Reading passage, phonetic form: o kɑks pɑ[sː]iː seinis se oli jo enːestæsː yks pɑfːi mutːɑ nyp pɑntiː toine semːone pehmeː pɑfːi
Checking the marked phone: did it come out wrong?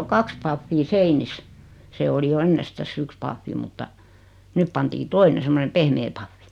yes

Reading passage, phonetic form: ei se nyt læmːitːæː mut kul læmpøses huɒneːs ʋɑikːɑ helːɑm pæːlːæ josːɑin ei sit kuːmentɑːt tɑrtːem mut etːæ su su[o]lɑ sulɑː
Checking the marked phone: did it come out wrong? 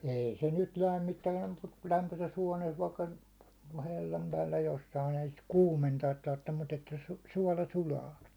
yes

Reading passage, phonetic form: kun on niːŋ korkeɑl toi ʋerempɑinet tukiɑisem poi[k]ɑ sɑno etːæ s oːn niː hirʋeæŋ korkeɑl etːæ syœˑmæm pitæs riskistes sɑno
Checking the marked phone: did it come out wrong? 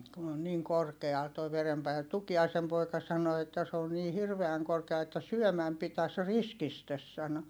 no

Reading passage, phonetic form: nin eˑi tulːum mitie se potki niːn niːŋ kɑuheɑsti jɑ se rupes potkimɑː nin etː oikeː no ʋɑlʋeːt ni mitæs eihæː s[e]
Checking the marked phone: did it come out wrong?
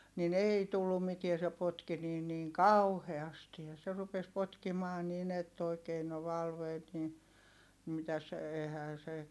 no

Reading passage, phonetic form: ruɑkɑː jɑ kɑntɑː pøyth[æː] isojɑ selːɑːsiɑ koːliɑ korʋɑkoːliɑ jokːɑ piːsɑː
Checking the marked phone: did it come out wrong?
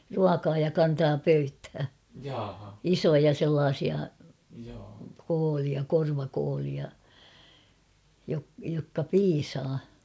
no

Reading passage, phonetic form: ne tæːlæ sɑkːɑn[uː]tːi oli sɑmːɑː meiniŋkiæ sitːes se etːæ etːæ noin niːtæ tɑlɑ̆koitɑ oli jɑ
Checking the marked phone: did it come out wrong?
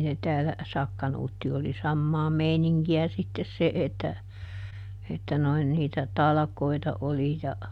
no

